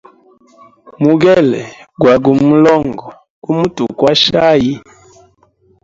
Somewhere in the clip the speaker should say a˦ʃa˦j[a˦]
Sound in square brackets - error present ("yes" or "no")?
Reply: yes